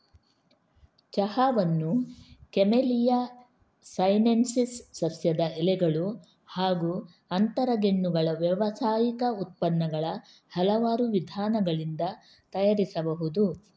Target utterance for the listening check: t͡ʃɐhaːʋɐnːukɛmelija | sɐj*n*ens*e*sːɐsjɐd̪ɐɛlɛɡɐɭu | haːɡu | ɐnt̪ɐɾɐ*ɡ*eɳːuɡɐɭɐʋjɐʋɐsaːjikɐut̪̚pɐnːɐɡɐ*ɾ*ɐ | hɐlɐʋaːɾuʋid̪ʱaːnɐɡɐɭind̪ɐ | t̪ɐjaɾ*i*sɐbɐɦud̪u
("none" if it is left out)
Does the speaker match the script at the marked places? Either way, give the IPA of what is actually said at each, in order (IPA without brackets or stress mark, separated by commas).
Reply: n, i, ɡ, ɭ, i